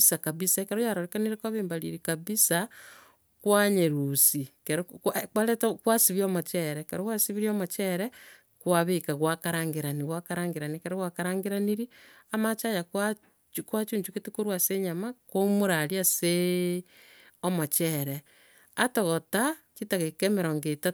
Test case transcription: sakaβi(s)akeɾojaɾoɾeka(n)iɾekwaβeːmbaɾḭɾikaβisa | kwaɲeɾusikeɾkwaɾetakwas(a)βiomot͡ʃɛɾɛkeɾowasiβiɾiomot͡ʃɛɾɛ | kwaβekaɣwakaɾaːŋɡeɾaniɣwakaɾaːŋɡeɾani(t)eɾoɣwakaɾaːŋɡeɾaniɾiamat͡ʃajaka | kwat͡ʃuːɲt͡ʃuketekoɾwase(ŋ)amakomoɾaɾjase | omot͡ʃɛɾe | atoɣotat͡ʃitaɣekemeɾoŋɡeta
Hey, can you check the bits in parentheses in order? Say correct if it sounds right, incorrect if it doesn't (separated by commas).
correct, correct, incorrect, incorrect, incorrect